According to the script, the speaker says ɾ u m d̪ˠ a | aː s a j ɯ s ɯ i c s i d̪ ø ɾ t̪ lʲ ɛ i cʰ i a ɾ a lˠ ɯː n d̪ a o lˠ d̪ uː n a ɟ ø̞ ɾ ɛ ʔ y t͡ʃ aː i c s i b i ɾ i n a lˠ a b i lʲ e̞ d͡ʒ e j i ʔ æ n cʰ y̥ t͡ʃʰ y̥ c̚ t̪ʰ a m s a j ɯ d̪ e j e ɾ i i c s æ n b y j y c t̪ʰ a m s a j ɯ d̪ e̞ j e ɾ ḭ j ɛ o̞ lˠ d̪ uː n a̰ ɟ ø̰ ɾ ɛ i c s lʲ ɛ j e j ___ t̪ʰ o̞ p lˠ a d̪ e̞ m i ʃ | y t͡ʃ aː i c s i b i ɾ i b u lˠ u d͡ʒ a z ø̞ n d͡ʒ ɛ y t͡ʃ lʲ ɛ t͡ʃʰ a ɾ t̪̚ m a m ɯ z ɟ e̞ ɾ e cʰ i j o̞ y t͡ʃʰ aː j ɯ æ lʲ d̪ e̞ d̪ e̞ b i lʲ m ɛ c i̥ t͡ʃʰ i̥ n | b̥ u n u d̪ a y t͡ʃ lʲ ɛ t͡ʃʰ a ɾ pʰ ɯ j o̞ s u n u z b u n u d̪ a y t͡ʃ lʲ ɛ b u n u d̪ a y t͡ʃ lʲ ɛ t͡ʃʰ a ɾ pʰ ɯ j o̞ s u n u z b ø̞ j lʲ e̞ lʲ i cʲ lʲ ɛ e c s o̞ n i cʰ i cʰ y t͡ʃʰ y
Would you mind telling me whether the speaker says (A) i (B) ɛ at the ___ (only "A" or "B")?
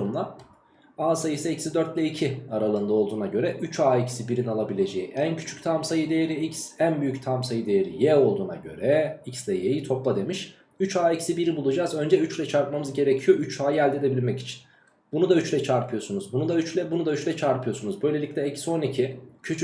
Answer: A